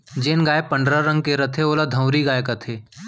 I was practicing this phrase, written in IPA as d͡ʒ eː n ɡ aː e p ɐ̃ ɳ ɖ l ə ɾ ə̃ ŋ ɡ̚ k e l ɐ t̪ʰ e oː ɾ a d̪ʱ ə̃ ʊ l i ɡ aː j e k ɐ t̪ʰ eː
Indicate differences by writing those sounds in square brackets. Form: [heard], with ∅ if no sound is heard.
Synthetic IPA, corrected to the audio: d͡ʒ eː n ɡ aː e p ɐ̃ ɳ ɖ [ɾ] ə ɾ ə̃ ŋ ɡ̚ k e [ɾ] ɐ t̪ʰ e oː [l] a d̪ʱ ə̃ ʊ [ɾ] i ɡ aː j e k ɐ t̪ʰ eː